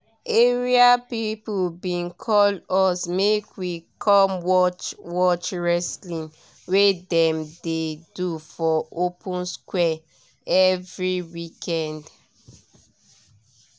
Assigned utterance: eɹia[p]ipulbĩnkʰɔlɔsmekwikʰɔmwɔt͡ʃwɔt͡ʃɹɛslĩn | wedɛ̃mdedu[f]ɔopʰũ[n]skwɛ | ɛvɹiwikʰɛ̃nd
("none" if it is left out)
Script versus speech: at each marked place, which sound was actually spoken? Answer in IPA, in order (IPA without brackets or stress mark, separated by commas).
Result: p, f, n